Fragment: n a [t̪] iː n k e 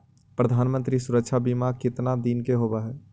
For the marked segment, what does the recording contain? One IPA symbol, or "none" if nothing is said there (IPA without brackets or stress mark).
d̪